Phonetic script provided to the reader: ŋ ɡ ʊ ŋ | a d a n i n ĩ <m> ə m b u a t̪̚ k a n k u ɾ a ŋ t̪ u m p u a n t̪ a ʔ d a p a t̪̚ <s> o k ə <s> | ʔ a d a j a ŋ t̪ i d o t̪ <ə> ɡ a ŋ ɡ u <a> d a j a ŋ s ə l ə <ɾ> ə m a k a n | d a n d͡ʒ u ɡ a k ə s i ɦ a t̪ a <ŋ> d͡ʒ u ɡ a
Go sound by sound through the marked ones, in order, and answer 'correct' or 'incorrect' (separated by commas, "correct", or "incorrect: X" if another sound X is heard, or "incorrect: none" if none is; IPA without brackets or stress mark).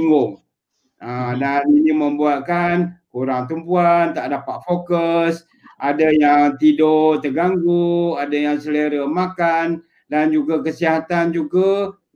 correct, incorrect: f, correct, correct, correct, correct, incorrect: n